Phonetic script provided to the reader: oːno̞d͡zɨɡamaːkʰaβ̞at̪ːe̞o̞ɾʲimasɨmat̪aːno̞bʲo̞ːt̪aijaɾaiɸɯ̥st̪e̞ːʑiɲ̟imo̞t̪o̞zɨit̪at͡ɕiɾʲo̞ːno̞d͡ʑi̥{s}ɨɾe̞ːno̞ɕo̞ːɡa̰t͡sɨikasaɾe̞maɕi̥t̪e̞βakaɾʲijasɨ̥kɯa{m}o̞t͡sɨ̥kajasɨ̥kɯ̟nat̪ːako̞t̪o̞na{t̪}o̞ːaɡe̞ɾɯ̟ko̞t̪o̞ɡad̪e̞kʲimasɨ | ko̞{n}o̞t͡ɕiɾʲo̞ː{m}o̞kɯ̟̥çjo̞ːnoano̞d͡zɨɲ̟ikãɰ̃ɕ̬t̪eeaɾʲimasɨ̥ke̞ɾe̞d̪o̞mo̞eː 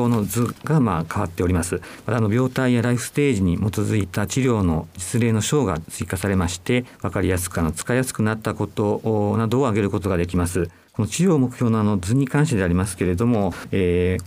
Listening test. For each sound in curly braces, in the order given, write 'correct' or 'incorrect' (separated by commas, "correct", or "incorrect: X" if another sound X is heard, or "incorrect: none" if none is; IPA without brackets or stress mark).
incorrect: t͡s, incorrect: n, incorrect: d̪, correct, correct